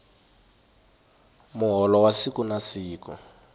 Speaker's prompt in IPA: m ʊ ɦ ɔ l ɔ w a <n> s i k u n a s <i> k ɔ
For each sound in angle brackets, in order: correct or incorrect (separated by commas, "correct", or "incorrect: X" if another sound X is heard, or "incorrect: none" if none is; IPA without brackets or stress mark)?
incorrect: none, incorrect: iː